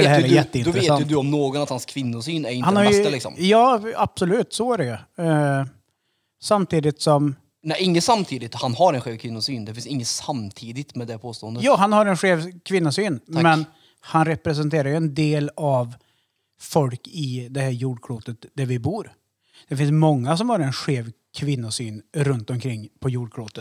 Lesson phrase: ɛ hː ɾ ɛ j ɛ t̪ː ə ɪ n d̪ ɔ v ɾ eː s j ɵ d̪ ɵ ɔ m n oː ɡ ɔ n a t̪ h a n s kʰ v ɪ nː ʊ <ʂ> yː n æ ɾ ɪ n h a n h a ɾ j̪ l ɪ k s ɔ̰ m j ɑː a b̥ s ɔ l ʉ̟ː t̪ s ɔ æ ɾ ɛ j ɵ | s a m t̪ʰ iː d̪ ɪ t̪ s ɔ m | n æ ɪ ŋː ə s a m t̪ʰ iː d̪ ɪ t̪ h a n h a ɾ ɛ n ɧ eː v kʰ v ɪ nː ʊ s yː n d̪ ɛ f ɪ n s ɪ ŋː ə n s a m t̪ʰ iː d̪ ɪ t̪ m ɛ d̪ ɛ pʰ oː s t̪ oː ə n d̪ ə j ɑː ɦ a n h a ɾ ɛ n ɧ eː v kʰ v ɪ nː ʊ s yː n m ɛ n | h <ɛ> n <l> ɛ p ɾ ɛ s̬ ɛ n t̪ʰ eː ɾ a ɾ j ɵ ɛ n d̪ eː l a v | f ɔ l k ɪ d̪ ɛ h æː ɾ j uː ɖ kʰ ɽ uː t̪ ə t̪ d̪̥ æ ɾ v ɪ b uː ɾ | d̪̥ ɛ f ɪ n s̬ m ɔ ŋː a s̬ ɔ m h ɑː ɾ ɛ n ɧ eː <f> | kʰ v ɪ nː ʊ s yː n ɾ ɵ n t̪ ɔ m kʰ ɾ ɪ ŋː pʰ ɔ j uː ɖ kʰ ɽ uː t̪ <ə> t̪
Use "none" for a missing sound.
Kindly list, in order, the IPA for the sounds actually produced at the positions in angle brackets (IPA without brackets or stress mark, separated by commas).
s, a, ɾ, v, ə